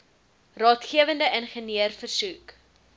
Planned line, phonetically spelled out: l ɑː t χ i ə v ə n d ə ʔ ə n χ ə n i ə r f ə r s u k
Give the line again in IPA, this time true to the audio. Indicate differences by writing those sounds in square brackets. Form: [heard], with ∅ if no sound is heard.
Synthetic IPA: [r] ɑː t χ i ə v ə n d ə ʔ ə n χ ə n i ə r f ə r s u k

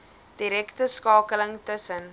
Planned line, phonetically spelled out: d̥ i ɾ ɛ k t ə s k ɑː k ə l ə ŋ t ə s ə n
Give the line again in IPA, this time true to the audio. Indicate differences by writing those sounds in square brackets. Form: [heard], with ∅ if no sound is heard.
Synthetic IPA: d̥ i ɾ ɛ k t ə s k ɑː k ə l ə ŋ t ə s ə n

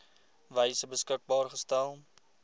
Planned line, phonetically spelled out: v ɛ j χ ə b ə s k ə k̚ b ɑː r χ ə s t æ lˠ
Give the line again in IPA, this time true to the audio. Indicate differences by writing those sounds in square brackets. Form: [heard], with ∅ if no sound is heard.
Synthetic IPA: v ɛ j [s] ə b ə s k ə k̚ b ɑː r χ ə s t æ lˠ

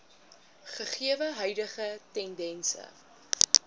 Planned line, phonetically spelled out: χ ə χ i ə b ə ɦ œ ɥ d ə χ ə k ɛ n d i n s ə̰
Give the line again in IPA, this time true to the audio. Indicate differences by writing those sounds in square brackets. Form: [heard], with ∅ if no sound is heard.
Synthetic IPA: χ ə χ i ə [v] ə ɦ œ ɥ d ə χ ə [t] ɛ n d [ɛ] n s ə̰

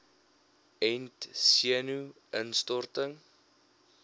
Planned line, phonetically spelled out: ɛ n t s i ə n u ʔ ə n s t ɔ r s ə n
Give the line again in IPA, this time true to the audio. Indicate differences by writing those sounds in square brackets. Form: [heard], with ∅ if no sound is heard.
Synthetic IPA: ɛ n t s i ə n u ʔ ə n s t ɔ r [t] ə [ŋ]

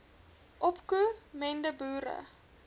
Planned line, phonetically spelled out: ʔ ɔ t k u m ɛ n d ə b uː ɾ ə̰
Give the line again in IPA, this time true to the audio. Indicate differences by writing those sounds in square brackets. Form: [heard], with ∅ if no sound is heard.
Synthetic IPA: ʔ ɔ [p] k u m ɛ n d ə b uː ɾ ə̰

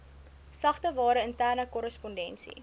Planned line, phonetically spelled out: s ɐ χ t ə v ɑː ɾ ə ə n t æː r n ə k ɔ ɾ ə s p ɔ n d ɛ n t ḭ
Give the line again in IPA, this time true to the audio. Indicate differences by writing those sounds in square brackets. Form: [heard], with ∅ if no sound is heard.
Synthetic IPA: s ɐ χ t ə v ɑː ɾ ə ə n t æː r n ə k ɔ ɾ ə s p ɔ n d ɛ n [s] ḭ

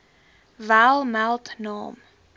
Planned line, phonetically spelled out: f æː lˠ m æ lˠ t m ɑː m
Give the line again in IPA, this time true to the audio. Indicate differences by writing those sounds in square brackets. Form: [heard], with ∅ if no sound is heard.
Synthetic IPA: [v] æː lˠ m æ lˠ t [n] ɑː m

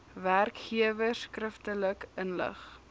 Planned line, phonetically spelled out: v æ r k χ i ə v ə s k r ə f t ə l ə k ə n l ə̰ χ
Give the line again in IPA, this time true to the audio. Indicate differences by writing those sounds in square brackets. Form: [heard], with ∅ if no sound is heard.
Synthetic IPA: v æ r k χ i ə v ə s k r ə f t ə l ə k ə n l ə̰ χ

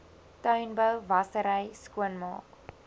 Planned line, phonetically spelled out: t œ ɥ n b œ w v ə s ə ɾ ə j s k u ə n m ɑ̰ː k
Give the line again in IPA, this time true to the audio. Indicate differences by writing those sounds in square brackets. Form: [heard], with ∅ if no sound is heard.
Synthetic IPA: t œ ɥ n b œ w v [ɐ] s ə ɾ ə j s k u ə n m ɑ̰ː k

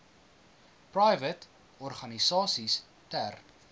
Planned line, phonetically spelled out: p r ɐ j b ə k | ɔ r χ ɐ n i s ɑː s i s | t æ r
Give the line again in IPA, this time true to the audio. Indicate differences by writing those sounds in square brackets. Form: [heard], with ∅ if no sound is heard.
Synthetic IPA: p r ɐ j [v] ə [t] | ɔ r χ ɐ n i s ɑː s i s | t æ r

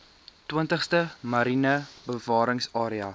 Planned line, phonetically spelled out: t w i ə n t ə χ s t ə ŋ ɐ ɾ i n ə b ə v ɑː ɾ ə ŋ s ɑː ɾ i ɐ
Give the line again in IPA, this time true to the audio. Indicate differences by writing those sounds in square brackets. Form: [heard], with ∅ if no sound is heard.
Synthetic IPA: t w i ə n t ə χ s t ə [m] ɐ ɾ i n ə b ə v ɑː ɾ ə ŋ s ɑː ɾ i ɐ

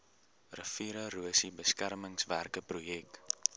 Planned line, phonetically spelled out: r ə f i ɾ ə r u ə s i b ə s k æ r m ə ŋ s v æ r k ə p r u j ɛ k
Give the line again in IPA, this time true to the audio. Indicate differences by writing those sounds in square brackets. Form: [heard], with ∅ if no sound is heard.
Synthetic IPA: r ə f i ɾ ə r u ə s i b ə s k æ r m ə ŋ s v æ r k ə p r u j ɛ k

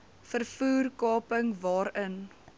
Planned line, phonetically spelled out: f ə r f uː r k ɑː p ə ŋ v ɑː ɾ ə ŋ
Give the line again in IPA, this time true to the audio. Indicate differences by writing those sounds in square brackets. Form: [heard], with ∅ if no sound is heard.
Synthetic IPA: f ə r f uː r k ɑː p ə ŋ v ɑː ɾ ə [n]

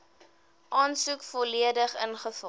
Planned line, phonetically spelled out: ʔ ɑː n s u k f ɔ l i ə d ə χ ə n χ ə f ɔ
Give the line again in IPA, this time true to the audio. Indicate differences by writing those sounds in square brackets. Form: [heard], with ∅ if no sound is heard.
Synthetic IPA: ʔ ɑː n s u k f ɔ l i ə d ə χ ə n χ ə f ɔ

